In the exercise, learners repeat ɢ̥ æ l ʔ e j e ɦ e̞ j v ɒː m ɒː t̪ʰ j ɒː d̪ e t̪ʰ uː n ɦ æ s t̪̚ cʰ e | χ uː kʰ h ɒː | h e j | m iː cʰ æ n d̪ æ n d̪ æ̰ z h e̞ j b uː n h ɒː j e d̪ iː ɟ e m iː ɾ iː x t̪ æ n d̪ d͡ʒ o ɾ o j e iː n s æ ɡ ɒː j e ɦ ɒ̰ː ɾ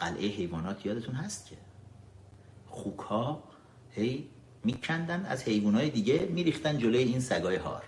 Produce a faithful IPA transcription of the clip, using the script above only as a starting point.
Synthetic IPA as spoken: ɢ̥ æ l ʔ e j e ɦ e̞ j v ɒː n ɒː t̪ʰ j ɒː d̪ e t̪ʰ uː n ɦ æ s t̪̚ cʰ e | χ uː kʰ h ɒː | h e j | m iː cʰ æ n d̪ æ n d̪ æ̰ z h e̞ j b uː n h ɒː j e d̪ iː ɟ e m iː ɾ iː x t̪ æ n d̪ d͡ʒ o l o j e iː n s æ ɡ ɒː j e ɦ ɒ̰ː ɾ